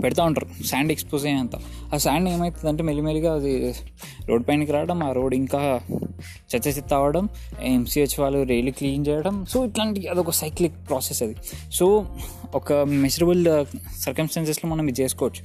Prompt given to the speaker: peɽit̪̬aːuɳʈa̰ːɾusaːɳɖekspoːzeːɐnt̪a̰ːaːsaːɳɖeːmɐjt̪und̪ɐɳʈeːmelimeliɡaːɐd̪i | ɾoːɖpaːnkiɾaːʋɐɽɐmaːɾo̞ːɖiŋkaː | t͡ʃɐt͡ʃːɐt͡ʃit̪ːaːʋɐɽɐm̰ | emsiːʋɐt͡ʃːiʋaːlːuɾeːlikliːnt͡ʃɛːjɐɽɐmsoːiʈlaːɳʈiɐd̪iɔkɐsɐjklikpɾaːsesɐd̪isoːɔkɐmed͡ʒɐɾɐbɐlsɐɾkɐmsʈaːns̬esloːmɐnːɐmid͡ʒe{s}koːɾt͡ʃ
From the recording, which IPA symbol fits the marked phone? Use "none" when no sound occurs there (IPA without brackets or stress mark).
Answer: s